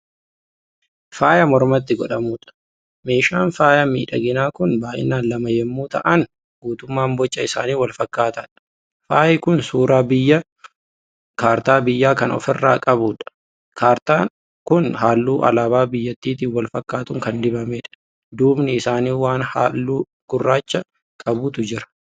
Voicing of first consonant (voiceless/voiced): voiceless